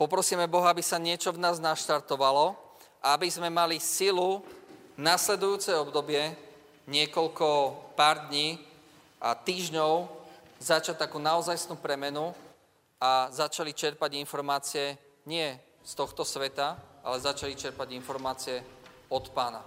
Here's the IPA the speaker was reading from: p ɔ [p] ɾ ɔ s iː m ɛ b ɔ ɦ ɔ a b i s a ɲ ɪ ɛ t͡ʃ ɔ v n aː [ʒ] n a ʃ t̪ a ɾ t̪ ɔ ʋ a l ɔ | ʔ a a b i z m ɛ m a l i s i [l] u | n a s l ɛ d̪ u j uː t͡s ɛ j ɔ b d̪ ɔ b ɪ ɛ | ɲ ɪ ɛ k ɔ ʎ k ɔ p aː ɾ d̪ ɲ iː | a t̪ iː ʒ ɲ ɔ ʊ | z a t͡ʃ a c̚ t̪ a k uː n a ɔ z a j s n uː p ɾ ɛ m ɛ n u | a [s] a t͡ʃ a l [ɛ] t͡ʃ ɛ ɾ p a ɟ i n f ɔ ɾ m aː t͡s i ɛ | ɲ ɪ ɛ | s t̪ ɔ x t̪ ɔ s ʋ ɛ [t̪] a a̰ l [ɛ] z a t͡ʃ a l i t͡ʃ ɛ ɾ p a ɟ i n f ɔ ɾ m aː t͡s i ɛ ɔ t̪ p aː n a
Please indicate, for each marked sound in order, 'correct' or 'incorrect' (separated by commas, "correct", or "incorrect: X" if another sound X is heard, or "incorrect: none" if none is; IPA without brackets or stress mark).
correct, incorrect: z, correct, incorrect: z, incorrect: i, correct, correct